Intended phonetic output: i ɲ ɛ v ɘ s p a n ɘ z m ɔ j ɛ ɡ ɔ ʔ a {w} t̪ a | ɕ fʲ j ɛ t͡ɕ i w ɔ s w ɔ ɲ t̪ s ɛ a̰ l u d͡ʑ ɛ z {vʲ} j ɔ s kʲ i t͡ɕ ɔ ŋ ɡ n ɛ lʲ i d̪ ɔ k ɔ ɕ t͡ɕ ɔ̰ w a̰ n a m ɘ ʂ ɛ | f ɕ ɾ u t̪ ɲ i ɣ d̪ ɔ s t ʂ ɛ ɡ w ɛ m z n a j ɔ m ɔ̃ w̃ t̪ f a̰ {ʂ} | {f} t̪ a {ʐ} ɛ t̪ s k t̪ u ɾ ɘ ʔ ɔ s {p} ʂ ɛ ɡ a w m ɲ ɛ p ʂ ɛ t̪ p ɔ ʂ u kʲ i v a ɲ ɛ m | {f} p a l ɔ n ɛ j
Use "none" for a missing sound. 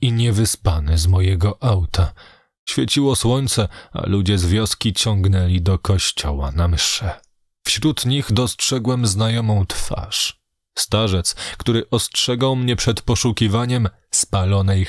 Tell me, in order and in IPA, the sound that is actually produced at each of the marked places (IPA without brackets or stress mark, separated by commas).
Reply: w, vʲ, ʂ, s, ʐ, t, s